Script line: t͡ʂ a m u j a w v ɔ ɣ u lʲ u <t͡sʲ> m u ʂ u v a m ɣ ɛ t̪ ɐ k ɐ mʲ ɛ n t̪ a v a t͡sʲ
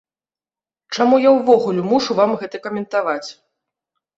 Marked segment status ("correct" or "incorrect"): incorrect